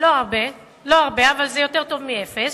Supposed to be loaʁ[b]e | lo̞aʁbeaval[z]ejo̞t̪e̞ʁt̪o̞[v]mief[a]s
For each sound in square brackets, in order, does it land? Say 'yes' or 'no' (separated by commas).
yes, yes, yes, no